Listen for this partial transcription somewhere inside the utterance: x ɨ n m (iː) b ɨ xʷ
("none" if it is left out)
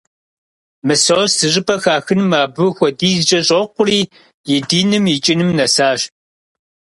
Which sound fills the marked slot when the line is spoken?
aː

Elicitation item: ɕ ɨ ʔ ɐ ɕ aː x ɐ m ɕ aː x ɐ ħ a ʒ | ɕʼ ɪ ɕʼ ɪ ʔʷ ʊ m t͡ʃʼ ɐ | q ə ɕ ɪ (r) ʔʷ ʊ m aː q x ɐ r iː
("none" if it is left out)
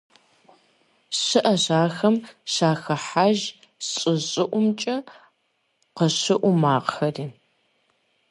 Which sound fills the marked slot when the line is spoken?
none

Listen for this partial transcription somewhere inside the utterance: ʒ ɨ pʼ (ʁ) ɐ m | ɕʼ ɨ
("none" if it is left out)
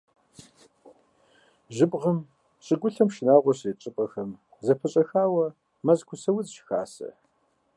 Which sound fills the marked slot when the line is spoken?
ʁ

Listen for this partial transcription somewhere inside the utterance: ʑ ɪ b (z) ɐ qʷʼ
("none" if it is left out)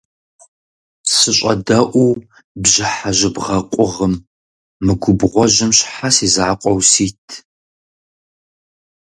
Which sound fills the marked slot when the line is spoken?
ʁ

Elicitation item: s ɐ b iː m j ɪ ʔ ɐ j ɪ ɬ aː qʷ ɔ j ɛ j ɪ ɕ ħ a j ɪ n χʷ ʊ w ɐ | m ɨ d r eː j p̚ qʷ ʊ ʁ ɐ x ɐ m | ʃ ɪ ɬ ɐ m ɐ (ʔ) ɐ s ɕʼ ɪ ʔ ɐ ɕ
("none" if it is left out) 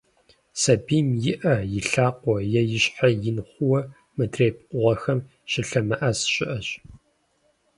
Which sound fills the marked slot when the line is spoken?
ʔ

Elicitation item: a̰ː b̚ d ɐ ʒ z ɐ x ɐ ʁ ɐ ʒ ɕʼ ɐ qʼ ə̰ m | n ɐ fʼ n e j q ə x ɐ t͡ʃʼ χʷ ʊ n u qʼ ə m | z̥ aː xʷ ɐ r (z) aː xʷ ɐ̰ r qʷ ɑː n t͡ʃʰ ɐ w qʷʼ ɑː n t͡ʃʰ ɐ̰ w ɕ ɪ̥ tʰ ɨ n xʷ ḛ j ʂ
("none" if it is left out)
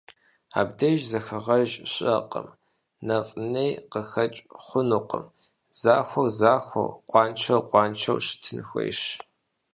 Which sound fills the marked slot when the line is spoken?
z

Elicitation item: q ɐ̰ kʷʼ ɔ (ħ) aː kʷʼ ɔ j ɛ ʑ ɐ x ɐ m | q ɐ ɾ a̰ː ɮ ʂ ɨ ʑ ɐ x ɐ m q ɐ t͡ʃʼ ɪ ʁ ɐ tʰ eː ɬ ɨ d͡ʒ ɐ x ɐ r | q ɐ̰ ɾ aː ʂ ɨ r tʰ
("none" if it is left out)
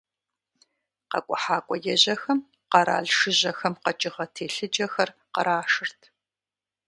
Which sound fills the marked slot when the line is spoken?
ħ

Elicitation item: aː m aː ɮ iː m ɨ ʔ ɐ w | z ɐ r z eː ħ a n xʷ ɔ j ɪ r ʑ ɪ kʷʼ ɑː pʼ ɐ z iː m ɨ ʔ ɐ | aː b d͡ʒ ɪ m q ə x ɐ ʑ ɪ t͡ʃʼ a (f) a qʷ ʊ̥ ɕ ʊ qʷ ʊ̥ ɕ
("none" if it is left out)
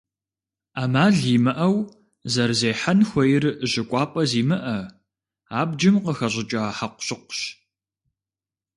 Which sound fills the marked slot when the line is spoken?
ħ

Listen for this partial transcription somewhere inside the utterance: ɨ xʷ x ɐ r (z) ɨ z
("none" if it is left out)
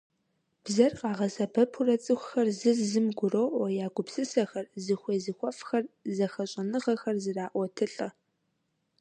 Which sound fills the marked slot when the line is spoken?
z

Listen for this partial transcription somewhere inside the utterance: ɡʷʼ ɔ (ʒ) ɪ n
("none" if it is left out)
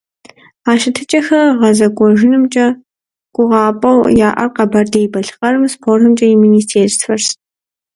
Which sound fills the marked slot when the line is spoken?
ʒ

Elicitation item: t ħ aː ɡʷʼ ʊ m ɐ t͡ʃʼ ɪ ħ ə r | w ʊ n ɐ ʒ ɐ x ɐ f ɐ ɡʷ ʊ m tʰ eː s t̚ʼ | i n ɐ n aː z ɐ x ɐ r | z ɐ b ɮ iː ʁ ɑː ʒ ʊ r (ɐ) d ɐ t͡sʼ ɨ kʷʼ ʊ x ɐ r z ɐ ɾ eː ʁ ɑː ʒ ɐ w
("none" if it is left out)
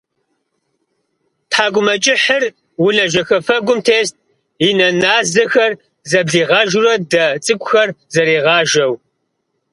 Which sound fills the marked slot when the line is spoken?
ɐ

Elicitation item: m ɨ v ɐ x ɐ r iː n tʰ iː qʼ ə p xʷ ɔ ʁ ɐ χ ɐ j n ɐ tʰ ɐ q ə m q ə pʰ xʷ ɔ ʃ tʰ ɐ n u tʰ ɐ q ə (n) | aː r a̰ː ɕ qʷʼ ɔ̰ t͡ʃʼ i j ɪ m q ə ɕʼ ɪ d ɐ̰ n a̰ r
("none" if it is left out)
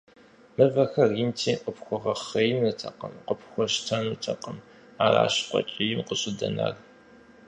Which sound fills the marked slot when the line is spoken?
m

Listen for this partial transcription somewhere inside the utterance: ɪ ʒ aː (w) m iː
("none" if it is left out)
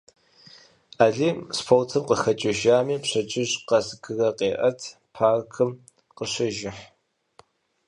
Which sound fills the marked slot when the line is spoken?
none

